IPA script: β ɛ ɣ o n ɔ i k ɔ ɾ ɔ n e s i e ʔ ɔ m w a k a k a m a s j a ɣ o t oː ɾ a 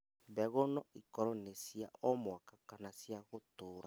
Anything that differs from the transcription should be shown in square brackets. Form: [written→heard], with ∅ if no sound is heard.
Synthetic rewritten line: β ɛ ɣ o n ɔ i k ɔ ɾ ɔ n e s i [e→a] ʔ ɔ m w a k a k a [m→n] a s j a ɣ o t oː ɾ a